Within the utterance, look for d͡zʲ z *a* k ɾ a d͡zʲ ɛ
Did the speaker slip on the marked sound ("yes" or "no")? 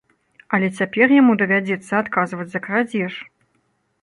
yes